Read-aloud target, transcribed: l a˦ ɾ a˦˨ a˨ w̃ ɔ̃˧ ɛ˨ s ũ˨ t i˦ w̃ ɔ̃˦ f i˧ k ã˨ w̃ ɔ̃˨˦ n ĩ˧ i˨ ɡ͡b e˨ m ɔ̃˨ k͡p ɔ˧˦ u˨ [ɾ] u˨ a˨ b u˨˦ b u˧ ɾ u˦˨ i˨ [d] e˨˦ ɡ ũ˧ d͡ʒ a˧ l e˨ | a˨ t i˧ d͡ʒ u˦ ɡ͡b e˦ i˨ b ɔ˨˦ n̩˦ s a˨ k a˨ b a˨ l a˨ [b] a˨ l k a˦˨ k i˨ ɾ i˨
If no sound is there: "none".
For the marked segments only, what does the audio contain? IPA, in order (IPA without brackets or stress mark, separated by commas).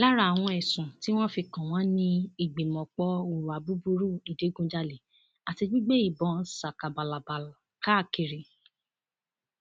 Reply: ɾ, d, b